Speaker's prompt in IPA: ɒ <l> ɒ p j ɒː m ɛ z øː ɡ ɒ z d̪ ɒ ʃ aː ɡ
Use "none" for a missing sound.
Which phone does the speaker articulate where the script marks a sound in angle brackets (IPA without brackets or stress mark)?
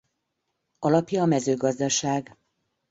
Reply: l